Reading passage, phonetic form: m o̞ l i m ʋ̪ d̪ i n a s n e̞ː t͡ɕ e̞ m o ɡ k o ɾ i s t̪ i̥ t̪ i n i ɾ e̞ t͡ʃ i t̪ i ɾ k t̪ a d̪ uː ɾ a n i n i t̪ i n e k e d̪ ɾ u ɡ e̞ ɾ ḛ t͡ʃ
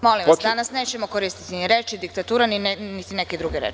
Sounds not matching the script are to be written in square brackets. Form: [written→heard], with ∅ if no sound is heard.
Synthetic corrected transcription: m o̞ l i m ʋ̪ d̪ [i→a] n a s n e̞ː t͡ɕ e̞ m o [ɡ→∅] k o ɾ i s t̪ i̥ t̪ i n i ɾ e̞ t͡ʃ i [t̪→d̪] i [ɾ→∅] k t̪ a [d̪→t̪] uː ɾ a n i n i t̪ i n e k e d̪ ɾ u ɡ e̞ ɾ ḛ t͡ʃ